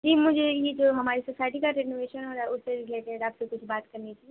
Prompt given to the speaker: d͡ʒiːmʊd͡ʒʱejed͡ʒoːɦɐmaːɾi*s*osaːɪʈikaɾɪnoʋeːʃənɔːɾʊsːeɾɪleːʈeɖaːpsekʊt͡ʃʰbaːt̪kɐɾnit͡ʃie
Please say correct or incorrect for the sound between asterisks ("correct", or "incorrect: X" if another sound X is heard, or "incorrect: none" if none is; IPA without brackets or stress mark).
correct